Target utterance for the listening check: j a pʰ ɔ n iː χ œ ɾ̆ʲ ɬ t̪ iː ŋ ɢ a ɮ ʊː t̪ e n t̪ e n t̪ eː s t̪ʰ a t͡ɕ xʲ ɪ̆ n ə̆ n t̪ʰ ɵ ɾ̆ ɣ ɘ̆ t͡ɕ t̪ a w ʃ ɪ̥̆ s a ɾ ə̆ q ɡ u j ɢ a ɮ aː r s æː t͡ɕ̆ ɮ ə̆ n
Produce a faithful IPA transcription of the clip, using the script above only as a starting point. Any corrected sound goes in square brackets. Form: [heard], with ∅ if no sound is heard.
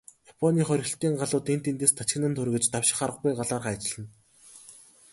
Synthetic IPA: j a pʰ ɔ n iː χ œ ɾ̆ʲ ɬ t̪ iː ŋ ɢ a ɮ ʊː t̪ e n t̪ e n t̪ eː s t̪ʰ a t͡ɕ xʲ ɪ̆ n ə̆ n t̪ʰ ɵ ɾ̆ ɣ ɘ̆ t͡ɕ t̪ a w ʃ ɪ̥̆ [χ] a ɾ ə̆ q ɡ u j ɢ a ɮ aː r [χ] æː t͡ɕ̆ ɮ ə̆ n